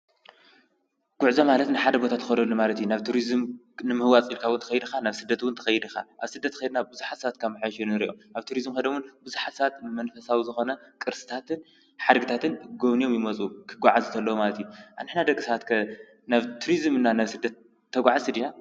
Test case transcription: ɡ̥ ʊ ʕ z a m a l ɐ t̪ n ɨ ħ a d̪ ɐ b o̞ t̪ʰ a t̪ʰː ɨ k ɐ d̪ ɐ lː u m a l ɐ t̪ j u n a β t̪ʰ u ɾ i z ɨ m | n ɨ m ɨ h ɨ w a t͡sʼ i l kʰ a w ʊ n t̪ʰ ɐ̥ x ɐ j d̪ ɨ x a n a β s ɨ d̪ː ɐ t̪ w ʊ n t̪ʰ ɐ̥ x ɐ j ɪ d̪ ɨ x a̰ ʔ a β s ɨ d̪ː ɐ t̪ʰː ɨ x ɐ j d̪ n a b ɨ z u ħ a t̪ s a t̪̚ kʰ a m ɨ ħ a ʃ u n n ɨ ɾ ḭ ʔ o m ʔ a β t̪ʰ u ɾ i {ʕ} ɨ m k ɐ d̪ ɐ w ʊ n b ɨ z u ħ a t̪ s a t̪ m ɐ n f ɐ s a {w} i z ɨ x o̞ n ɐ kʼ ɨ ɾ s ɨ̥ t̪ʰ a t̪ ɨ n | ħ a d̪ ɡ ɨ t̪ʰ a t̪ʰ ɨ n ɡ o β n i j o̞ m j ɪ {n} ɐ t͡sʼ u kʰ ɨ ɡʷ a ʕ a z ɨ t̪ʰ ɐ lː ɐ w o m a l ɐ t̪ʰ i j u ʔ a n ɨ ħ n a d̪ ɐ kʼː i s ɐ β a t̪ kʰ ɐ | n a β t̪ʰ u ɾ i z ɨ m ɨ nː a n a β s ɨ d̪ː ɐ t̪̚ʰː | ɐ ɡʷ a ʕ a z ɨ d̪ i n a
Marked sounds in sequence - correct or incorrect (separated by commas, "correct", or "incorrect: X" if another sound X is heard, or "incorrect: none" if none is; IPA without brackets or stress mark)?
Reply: incorrect: z, correct, incorrect: m